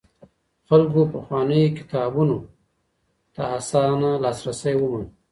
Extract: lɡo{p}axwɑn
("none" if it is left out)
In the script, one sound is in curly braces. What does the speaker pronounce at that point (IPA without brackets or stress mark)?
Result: p